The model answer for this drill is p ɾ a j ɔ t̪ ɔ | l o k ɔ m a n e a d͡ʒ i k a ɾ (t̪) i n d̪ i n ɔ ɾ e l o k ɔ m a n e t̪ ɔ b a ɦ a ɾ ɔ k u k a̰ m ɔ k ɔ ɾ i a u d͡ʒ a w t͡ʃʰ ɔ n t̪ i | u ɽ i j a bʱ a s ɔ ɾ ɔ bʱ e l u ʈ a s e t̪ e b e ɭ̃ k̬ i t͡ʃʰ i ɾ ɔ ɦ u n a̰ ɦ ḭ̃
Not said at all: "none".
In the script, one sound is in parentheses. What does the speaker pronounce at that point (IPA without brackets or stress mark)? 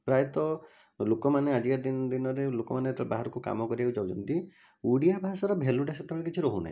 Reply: d̪